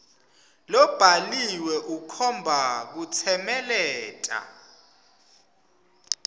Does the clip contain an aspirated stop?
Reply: yes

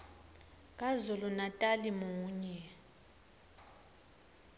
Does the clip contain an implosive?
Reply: no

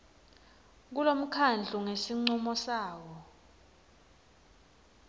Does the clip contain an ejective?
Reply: no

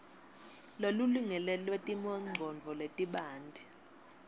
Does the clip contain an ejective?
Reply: yes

